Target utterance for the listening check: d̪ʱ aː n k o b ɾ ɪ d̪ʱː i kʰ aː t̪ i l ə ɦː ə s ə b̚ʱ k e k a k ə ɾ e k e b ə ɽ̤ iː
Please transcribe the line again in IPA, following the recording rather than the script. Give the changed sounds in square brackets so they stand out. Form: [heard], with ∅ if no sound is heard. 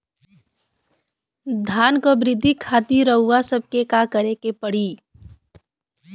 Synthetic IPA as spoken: d̪ʱ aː n k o b ɾ ɪ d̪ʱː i kʰ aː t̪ i [ɾ] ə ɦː [a] s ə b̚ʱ k e k a k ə ɾ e k e [p] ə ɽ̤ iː

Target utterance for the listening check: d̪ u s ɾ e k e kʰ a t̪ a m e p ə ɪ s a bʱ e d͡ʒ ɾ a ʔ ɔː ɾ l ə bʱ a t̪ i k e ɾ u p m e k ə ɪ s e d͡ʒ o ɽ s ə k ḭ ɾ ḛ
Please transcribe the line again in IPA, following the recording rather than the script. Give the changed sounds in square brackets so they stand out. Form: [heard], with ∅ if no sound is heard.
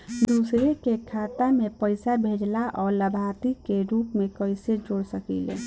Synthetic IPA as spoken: d̪ u s ɾ e k e kʰ a t̪ a m e p ə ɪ s a bʱ e d͡ʒ [l] a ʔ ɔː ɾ l ə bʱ a t̪ i k e ɾ u p m e k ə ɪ s e d͡ʒ o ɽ s ə k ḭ [l] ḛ

